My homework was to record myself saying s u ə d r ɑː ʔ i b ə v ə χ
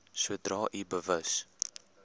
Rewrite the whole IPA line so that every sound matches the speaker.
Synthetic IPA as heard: s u ə d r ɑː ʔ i b ə v ə s